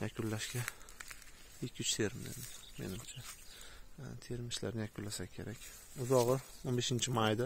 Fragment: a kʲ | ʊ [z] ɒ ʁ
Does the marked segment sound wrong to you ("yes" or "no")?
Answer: no